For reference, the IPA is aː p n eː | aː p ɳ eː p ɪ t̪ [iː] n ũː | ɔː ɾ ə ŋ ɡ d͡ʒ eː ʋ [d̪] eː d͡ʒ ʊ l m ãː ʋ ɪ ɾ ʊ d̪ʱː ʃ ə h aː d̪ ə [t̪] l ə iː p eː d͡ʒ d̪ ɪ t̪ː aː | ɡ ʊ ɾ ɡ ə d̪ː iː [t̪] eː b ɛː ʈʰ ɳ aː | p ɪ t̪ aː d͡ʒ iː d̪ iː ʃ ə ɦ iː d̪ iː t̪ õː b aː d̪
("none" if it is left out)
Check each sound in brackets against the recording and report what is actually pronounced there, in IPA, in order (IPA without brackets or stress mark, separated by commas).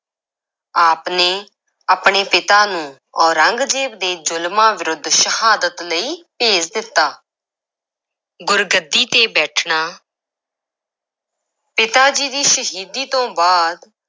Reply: aː, d̪, t̪, t̪